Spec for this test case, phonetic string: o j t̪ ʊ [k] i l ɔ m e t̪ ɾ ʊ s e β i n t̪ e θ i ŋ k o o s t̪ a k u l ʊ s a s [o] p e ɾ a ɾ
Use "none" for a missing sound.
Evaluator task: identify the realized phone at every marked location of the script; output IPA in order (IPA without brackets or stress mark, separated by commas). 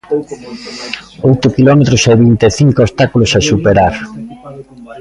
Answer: k, u